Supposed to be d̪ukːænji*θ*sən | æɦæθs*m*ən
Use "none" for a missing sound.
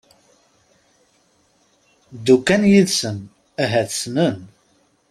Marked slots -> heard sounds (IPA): ð, n

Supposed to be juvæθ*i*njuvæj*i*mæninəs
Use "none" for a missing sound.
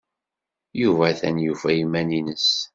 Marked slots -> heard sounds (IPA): æ, i

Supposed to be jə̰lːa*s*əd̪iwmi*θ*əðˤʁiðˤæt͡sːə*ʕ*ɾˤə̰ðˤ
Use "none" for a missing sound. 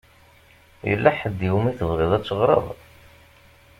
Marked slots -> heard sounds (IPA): ħ, θ, ʁ

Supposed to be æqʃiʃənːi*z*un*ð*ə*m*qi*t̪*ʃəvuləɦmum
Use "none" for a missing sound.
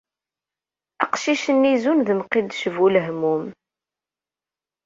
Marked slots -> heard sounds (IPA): z, ð, m, d̪

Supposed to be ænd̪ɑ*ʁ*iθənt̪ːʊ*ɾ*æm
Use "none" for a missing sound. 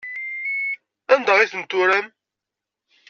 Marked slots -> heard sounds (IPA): ʁ, ɾ

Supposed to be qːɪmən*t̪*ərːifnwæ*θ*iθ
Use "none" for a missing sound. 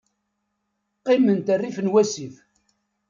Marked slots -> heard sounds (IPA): t̪, s

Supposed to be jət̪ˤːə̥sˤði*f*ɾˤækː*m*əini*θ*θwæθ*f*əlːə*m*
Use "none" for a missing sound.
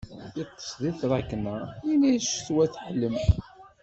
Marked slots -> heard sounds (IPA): θ, n, ʃ, ħ, m

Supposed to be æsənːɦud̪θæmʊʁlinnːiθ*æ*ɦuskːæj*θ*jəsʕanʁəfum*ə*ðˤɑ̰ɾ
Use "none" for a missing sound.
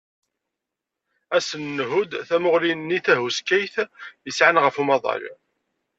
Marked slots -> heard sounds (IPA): æ, θ, ɑ

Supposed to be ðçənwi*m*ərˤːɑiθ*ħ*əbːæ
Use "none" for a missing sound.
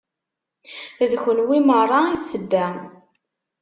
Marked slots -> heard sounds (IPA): m, s

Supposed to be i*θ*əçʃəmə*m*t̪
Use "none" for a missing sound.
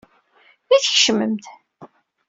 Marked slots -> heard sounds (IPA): θ, m

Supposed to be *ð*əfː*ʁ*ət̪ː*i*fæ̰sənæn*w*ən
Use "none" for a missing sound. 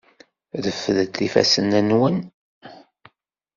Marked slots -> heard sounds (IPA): ð, ð, i, w

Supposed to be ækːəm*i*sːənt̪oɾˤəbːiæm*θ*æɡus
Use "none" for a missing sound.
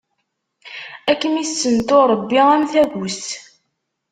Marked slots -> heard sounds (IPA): i, θ

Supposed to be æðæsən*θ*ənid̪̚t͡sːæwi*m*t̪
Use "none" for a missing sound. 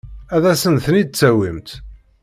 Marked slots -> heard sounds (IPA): θ, m

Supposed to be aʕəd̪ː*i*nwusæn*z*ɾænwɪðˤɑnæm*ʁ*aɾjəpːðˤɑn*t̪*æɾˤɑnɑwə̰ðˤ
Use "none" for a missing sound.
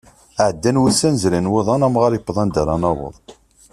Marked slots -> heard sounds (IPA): æ, z, ʁ, d̪

